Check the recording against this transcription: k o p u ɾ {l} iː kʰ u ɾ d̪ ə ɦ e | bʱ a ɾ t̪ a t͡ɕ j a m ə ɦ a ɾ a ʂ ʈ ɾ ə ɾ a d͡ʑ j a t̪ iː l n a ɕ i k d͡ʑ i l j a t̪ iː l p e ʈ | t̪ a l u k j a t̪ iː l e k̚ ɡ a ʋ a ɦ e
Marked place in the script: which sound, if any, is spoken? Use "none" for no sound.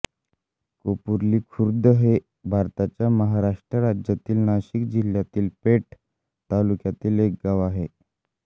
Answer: l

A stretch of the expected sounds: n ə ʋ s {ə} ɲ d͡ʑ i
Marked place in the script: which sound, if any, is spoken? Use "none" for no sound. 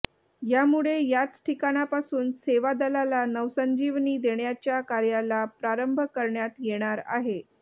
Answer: ə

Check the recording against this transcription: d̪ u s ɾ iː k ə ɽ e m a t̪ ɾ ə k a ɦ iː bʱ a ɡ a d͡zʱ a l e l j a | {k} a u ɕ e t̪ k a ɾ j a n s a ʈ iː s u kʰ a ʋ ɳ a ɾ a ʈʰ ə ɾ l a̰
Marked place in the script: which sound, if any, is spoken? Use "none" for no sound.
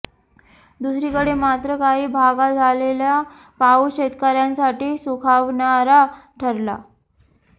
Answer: p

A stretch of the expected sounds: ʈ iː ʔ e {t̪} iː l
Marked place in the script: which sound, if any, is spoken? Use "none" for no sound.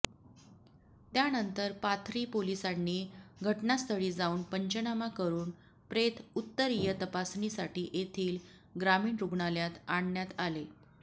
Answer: t̪ʰ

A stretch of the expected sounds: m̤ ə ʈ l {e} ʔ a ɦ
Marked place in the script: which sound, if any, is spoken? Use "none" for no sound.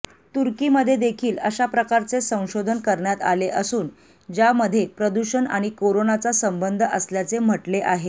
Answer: e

